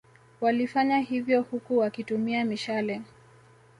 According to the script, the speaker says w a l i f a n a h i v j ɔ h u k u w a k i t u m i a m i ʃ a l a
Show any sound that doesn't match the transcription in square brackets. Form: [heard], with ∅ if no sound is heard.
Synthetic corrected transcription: w a l i f a [ɲ] a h i v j ɔ h u k u w a k i t u m i a m i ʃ a l [ɛ]

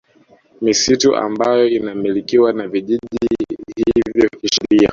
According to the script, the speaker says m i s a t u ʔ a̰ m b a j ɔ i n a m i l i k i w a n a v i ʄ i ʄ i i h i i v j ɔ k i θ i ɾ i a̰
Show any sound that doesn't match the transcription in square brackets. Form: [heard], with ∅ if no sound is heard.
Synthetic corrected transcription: m i s [i] t u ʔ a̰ m b a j ɔ i n a m i l i k i w a n a v i ʄ i ʄ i i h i i v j ɔ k i [ʃ] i ɾ i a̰

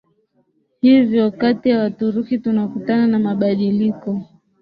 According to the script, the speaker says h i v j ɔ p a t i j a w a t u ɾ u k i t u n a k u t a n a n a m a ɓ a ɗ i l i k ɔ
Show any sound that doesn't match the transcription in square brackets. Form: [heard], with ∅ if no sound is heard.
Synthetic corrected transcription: h i v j ɔ [k] a t i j a w a t u ɾ u k i t u n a k u t a n a n a m a ɓ a ɗ i l i k ɔ

